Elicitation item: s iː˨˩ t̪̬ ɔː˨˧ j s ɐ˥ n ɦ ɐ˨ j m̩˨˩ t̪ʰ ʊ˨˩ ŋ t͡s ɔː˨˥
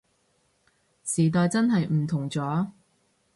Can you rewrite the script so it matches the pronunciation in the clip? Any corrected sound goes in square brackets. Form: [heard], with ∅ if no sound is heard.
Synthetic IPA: s iː˨˩ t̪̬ ɔː˨˧ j [t͡s] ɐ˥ n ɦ ɐ˨ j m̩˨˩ t̪ʰ ʊ˨˩ ŋ t͡s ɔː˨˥